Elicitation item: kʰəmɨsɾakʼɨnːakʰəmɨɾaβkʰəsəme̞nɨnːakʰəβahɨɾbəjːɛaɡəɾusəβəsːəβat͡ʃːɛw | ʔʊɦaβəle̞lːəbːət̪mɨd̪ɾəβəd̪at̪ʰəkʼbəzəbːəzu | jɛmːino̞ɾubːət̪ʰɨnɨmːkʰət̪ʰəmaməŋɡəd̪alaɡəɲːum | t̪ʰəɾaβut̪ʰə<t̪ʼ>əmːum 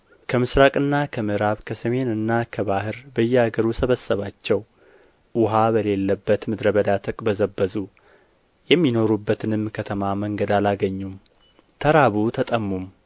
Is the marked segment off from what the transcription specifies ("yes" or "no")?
no